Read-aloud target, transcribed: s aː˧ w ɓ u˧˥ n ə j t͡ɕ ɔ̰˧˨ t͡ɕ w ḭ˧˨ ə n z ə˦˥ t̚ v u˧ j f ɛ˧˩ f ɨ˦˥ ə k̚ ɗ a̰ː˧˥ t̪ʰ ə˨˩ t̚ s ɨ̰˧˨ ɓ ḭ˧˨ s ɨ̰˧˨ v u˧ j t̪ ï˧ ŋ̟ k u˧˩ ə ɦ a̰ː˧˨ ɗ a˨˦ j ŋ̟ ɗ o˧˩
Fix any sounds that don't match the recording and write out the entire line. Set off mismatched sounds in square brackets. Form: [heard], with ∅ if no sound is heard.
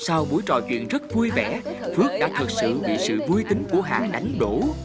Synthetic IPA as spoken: s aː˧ w ɓ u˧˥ [∅] ə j t͡ɕ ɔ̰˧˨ t͡ɕ w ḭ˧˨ ə n z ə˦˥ t̚ v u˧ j [v] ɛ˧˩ f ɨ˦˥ ə k̚ ɗ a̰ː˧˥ t̪ʰ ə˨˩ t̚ s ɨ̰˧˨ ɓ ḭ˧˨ s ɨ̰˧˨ v u˧ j t̪ ï˧ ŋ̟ k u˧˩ ə ɦ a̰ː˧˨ ɗ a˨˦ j ŋ̟ ɗ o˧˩